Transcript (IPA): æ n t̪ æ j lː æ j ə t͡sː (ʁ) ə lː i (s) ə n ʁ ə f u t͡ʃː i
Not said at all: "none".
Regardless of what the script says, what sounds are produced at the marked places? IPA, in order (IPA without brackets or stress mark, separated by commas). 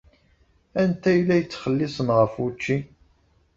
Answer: χ, s